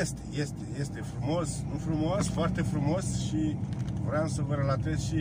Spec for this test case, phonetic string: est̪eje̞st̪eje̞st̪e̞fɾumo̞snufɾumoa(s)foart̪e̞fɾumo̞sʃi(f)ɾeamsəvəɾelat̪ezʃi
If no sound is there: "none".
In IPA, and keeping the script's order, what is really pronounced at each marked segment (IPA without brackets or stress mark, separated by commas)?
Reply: s, v